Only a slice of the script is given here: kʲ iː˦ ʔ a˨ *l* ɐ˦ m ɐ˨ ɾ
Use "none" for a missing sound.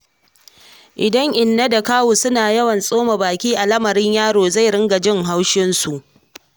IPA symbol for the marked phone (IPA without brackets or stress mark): l